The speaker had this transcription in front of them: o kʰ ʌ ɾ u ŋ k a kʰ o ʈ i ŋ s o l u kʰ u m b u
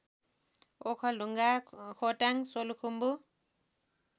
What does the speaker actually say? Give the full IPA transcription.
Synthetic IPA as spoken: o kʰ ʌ l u ŋ ɡ a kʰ o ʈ a ŋ s o l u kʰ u m b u